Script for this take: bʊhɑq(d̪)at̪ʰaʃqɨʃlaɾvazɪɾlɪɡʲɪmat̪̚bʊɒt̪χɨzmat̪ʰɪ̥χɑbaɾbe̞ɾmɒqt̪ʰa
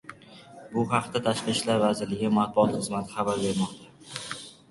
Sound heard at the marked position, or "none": t̪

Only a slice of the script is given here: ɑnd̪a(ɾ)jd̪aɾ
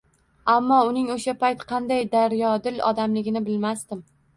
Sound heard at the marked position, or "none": none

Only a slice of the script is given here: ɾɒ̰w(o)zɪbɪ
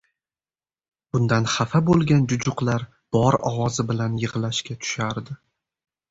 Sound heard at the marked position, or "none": ɒ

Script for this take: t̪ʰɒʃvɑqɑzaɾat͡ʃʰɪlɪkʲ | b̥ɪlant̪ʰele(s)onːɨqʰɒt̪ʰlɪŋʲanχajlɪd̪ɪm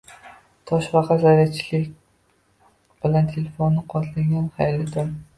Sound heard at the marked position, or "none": f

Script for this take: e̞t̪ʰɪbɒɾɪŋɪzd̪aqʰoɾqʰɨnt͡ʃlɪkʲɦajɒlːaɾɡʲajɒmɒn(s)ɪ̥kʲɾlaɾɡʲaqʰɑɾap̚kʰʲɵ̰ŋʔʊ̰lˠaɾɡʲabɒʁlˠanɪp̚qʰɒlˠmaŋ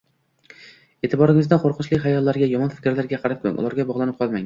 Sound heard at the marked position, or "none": f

